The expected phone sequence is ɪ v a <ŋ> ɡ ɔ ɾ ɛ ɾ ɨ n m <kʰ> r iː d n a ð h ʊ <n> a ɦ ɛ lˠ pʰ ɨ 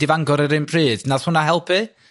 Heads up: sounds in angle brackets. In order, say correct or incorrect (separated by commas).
correct, incorrect, correct